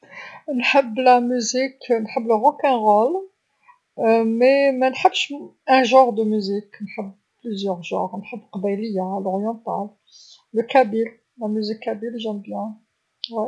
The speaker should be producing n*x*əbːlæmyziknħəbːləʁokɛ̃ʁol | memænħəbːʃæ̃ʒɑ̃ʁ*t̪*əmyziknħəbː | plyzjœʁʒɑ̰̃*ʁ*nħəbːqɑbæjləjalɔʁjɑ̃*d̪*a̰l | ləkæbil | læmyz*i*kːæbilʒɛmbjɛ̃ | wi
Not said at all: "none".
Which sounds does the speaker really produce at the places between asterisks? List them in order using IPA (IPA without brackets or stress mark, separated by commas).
ħ, d̪, ʁ, t̪, i